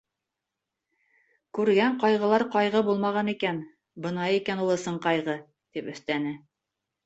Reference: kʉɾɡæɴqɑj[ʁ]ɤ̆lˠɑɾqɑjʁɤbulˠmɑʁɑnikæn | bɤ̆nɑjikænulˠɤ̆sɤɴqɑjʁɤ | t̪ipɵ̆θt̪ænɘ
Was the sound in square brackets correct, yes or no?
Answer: yes